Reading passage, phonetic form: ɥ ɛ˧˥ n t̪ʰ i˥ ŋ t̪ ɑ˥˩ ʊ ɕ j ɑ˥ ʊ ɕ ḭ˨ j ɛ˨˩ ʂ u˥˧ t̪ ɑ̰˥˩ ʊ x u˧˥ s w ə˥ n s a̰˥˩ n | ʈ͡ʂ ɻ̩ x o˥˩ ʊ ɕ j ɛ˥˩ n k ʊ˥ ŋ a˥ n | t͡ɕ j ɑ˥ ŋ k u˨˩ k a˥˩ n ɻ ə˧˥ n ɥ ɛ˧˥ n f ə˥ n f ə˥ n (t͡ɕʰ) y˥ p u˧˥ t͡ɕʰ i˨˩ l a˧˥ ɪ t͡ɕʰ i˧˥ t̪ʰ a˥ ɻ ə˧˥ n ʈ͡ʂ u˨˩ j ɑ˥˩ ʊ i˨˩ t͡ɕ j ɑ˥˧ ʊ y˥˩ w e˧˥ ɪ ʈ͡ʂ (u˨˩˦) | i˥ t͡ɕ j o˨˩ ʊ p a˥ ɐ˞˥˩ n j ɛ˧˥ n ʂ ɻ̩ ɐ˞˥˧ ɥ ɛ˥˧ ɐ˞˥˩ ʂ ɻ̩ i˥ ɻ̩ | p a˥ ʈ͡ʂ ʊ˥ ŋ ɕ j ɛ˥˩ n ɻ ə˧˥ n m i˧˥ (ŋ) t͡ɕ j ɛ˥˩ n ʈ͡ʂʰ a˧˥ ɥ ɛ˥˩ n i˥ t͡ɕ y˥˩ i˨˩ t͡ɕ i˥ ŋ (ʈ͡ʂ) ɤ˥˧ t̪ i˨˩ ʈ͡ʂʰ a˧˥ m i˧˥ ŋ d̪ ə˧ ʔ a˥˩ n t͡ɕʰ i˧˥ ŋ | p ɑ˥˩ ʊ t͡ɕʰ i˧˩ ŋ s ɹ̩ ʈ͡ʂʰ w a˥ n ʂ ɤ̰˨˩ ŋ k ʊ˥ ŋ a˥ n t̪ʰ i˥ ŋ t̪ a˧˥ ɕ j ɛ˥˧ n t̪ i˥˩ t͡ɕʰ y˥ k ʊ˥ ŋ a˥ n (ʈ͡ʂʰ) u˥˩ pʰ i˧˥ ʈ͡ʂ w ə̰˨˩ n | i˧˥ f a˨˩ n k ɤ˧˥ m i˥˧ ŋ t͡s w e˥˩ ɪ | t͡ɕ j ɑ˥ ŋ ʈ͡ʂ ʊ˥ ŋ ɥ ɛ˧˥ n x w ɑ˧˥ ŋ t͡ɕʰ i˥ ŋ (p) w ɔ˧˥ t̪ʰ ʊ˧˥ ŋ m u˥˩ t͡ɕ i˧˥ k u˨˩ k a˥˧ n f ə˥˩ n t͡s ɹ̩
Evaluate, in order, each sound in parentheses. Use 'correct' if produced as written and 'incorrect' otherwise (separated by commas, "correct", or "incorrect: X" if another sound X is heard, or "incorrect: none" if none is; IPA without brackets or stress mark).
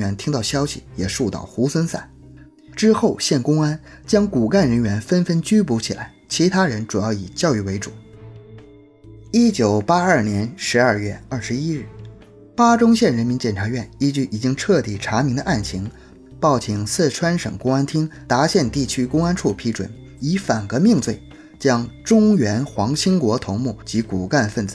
incorrect: t͡ɕ, correct, incorrect: n, incorrect: ʈ͡ʂʰ, correct, incorrect: k